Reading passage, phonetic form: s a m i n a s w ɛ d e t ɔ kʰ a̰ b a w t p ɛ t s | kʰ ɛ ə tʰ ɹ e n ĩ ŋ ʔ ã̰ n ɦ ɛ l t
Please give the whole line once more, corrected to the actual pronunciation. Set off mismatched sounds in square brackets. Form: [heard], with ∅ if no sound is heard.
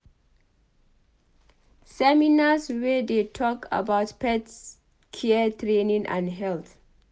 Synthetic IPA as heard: s [ɛ] m i n a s w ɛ d e [tʰ] ɔ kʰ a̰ b a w t p ɛ t s | kʰ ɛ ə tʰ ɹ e n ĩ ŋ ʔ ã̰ n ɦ ɛ l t